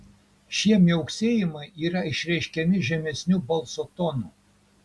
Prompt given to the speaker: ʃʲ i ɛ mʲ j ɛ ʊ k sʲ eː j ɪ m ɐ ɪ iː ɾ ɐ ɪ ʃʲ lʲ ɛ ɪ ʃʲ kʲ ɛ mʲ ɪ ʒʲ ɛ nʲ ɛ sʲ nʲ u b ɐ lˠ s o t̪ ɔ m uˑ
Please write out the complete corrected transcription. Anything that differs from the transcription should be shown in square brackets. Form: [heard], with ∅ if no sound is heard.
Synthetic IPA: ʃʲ i ɛ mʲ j ɛ ʊ k sʲ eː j ɪ m ɐ ɪ iː ɾ ɐ ɪ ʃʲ [ɾʲ] ɛ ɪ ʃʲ kʲ ɛ mʲ ɪ ʒʲ ɛ [mʲ] ɛ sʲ nʲ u b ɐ lˠ s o t̪ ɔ [n] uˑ

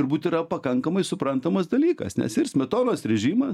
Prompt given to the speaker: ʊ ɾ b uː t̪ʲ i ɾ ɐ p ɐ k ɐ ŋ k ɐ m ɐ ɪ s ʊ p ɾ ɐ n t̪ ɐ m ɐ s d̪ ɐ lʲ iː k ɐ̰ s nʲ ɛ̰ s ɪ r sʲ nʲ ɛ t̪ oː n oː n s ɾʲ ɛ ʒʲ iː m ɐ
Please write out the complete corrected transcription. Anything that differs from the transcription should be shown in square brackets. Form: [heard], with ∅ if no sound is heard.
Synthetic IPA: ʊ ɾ b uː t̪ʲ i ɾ ɐ p ɐ k ɐ ŋ k ɐ m ɐ ɪ s ʊ p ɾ ɐ n t̪ ɐ m ɐ s d̪ ɐ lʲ iː k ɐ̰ s nʲ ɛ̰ s ɪ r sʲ [mʲ] ɛ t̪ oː n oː [∅] s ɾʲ ɛ ʒʲ iː m ɐ

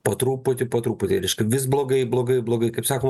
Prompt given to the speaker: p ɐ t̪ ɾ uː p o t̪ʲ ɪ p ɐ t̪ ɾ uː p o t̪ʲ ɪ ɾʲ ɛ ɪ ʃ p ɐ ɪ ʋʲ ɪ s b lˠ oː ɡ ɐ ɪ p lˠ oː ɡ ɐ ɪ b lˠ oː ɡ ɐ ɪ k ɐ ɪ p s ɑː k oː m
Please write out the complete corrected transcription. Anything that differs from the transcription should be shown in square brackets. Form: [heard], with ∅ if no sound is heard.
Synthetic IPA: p ɐ t̪ ɾ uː p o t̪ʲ ɪ p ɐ t̪ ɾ uː p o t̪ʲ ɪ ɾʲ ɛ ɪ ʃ [k] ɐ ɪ ʋʲ ɪ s b lˠ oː ɡ ɐ ɪ [b] lˠ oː ɡ ɐ ɪ b lˠ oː ɡ ɐ ɪ k ɐ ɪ p s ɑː k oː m

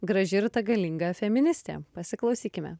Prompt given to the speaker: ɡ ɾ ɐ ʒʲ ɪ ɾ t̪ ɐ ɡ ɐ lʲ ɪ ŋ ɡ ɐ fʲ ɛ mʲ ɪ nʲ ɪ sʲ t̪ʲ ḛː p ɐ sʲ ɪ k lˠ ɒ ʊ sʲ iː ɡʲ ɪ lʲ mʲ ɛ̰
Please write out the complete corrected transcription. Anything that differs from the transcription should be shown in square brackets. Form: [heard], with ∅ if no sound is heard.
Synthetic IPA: ɡ ɾ ɐ ʒʲ ɪ ɾ t̪ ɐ ɡ ɐ lʲ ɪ ŋ ɡ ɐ fʲ ɛ mʲ ɪ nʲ ɪ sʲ t̪ʲ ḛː p ɐ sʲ ɪ k lˠ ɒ ʊ sʲ iː [kʲ] ɪ [∅] mʲ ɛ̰

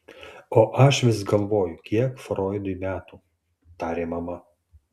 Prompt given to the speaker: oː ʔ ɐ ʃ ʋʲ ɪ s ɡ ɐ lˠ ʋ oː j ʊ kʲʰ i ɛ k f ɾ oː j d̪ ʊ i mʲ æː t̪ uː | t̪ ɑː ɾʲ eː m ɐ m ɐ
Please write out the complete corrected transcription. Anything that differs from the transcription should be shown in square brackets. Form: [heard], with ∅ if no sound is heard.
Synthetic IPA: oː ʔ ɐ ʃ ʋʲ ɪ s ɡ ɐ lˠ ʋ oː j ʊ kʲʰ i ɛ k f ɾ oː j d̪ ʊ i mʲ æː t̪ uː | t̪ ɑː ɾʲ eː m ɐ m ɐ

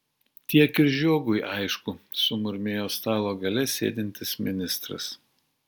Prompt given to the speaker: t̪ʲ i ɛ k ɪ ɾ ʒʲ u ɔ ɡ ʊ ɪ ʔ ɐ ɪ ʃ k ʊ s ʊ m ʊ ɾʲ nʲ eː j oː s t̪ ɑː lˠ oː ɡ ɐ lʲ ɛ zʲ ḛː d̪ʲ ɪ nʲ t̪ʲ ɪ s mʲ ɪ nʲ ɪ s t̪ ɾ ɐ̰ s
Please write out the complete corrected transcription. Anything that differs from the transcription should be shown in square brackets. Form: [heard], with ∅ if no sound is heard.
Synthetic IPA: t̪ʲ i ɛ k ɪ ɾ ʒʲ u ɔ ɡ ʊ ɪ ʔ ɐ ɪ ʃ k ʊ s ʊ m ʊ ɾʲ [mʲ] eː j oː s t̪ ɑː lˠ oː ɡ ɐ lʲ ɛ [sʲ] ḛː d̪ʲ ɪ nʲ t̪ʲ ɪ s mʲ ɪ nʲ ɪ s t̪ ɾ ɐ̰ s

